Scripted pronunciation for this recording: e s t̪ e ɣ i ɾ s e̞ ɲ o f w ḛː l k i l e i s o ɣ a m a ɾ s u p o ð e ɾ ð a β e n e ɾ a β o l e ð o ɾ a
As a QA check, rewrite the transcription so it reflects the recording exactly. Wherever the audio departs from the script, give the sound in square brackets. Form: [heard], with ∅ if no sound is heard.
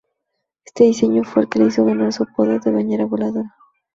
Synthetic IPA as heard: e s t̪ e [ð] i [∅] s e̞ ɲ o f w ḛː l k [e] l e i s o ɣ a [n] a ɾ s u p o ð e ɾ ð [e] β [a] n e ɾ a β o l [a] ð o ɾ a